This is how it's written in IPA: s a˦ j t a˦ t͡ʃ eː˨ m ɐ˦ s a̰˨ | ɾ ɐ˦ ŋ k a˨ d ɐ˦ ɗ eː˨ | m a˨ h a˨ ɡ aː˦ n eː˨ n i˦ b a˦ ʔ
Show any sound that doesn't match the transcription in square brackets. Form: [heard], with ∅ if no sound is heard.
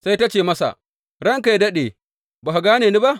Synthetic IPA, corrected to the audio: s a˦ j t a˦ t͡ʃ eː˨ m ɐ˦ s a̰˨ | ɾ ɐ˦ ŋ k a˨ d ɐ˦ ɗ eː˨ | [b] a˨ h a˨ ɡ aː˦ n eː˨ n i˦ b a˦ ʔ